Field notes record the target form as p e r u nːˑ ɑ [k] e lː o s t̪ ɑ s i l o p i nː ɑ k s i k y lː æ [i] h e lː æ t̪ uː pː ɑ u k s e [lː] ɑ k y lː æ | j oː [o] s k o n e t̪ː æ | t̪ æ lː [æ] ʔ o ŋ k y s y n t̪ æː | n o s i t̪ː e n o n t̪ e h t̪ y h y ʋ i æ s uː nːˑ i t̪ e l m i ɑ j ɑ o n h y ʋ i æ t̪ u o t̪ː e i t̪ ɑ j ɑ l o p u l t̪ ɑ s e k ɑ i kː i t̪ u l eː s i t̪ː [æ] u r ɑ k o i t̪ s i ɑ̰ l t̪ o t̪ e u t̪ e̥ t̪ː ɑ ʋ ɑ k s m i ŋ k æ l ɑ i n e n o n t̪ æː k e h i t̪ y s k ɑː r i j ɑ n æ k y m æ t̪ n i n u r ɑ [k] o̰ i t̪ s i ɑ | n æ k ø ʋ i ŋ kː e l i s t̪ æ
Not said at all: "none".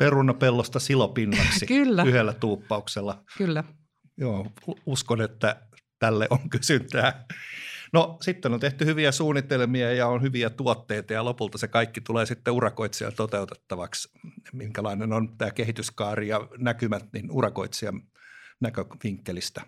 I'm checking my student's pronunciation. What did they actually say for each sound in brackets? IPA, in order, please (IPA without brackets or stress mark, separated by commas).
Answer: p, y, lː, u, e, e, k